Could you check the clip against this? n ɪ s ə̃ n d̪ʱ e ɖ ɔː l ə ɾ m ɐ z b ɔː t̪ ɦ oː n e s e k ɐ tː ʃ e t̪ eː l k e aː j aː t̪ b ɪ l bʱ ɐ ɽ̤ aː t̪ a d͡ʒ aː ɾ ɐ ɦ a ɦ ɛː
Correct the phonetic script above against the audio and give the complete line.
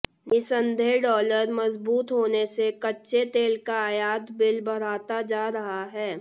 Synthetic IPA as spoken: n ɪ s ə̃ n d̪ʱ e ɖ ɔː l ə ɾ m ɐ z b uː t̪ ɦ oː n e s e k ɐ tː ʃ e t̪ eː l k a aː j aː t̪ b ɪ l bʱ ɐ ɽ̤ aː t̪ a d͡ʒ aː ɾ ɐ ɦ a ɦ ɛː